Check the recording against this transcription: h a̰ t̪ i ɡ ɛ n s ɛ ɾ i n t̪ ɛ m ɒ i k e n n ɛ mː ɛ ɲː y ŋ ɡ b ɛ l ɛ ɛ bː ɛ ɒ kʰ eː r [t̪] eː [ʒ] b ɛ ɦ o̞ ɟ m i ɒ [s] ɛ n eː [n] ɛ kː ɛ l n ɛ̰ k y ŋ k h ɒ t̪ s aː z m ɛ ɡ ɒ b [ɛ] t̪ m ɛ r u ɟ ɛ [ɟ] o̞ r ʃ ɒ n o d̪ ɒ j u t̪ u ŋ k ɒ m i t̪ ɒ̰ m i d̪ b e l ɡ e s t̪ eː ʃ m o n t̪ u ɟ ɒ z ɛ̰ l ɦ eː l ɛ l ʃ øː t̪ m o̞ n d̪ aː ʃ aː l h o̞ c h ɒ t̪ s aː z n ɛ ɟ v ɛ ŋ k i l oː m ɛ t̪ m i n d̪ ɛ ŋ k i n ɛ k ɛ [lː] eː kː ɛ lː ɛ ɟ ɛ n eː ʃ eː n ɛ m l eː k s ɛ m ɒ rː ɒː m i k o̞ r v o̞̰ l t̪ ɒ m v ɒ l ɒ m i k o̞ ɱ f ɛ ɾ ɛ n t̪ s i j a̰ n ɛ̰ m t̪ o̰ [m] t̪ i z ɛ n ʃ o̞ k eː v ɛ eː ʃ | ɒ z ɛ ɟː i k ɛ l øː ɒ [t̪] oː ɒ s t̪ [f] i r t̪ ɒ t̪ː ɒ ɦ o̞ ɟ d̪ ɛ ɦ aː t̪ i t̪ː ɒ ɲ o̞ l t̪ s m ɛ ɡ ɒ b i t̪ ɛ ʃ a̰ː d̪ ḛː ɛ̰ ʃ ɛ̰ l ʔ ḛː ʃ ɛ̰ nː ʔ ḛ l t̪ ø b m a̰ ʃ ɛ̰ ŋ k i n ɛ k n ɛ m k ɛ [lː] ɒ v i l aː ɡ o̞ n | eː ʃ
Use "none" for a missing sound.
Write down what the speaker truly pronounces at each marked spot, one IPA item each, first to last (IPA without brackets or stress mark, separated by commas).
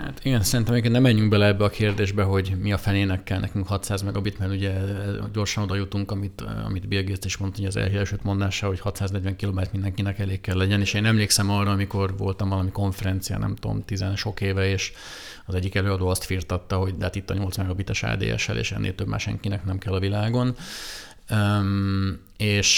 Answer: d̪, ʒ, f, n, i, ɟ, l, m, d̪, f, lː